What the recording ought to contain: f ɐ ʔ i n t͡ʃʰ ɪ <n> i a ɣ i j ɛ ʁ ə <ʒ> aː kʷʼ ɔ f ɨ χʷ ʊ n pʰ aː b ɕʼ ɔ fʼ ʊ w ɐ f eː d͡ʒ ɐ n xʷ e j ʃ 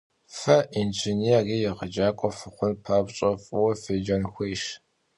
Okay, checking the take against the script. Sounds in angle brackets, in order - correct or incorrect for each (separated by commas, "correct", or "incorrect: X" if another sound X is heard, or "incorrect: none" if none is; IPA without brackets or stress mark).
correct, incorrect: d͡ʒ